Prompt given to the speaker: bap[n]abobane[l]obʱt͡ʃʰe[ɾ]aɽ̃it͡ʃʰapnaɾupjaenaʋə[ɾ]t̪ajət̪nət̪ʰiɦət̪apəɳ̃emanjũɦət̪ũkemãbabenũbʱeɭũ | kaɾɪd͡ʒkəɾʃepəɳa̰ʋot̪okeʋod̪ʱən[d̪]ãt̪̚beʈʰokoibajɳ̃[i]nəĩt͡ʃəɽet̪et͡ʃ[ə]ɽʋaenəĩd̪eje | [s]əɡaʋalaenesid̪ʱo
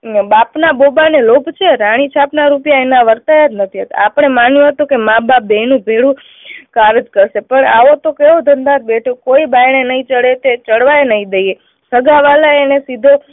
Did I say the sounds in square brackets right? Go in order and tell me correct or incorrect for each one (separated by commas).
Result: correct, correct, correct, correct, correct, incorrect, correct, correct